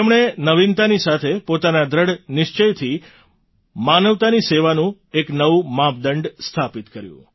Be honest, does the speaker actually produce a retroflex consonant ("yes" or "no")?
yes